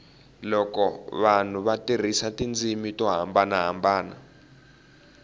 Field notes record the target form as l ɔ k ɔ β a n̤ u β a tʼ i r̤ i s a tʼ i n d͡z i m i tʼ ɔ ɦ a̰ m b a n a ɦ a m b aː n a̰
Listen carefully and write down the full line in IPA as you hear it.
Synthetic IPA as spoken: l ɔ k ɔ β a n̤ u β a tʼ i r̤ i s a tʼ i n d͡z i m i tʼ ɔ ɦ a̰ m b a n a ɦ a m b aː n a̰